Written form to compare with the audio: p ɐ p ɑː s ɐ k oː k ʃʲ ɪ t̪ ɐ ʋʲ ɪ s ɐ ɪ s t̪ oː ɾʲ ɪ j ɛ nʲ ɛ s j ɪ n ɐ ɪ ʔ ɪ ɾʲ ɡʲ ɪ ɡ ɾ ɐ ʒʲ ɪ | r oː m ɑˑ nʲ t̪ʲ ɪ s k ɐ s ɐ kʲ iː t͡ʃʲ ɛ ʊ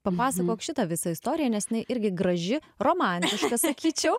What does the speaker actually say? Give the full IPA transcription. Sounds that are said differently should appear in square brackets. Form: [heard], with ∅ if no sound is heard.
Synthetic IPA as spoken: p ɐ p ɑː s ɐ k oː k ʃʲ ɪ t̪ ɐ ʋʲ ɪ s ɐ ɪ s t̪ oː ɾʲ ɪ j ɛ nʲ ɛ s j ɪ n ɐ ɪ ʔ ɪ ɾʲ ɡʲ ɪ ɡ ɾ ɐ ʒʲ ɪ | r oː m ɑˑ nʲ t̪ʲ ɪ [ʃ] k ɐ s ɐ kʲ iː t͡ʃʲ ɛ ʊ